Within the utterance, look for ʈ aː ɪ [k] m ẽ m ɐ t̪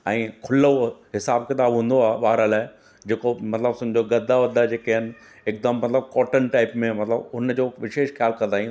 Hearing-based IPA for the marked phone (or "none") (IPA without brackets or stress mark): p